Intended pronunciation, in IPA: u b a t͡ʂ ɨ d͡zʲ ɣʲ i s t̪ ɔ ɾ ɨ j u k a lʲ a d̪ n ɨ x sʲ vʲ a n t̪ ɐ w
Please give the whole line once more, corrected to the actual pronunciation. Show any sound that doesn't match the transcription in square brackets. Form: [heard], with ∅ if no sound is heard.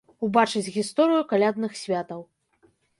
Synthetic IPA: u b a t͡ʂ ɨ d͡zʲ ɣʲ i s t̪ ɔ ɾ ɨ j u k a lʲ a d̪ n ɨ x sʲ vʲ a [∅] t̪ ɐ w